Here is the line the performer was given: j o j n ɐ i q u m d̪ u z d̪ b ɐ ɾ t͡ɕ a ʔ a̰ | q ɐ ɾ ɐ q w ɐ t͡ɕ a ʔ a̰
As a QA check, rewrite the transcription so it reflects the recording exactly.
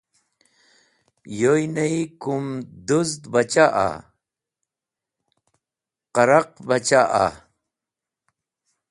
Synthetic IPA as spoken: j o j n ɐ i k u m d̪ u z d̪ b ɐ t͡ɕ a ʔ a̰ | q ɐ ɾ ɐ q b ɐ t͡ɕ a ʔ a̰